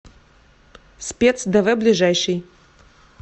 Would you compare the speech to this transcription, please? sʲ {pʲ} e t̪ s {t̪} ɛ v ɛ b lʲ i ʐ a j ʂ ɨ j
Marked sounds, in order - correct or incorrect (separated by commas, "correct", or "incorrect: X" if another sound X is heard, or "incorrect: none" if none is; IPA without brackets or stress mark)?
correct, incorrect: d̪